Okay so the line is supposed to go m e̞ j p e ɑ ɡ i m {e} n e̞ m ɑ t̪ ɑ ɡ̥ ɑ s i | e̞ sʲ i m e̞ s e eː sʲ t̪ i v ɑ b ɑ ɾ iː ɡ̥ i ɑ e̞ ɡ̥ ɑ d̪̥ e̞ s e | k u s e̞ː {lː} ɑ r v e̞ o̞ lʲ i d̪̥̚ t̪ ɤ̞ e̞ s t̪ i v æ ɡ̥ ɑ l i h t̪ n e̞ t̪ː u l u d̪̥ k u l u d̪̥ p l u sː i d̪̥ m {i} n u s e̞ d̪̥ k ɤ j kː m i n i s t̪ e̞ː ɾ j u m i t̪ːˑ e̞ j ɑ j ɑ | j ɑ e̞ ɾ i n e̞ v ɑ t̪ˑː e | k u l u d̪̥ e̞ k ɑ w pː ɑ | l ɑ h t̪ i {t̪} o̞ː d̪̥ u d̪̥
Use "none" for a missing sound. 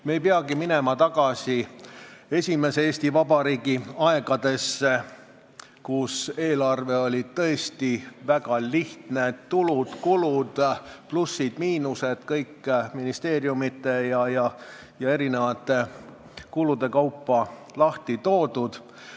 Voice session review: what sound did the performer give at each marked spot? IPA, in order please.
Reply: i, l, iː, t̪

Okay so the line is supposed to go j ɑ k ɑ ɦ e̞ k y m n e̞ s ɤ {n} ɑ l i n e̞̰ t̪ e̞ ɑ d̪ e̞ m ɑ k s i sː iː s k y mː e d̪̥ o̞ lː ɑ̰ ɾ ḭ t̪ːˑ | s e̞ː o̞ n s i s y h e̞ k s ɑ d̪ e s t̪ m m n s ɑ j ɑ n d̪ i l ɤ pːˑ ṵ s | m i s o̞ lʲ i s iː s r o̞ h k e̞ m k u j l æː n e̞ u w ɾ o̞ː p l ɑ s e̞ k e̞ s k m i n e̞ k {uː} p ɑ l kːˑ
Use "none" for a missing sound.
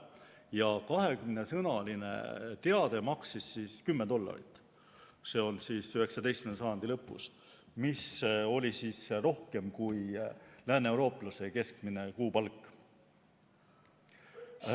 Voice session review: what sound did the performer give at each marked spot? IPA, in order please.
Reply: n, uː

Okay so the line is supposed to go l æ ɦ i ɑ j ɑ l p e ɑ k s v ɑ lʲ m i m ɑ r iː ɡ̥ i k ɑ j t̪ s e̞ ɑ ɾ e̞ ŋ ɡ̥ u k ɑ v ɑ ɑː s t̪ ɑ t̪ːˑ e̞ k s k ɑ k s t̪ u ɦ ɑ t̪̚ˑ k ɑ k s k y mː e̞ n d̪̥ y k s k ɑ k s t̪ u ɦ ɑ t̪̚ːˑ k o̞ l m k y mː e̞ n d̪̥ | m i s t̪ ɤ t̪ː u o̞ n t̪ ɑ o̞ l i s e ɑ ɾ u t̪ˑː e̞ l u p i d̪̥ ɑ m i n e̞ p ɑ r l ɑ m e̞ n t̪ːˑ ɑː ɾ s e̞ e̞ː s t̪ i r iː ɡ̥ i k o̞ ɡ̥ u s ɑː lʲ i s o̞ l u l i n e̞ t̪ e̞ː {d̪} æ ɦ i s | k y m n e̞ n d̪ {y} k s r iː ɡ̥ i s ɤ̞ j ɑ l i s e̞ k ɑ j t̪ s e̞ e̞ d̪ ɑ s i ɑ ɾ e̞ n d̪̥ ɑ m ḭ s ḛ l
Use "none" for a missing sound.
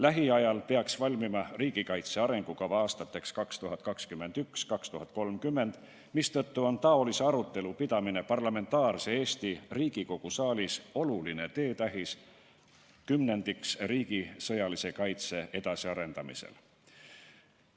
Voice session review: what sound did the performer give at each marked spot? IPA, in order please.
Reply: t̪, i

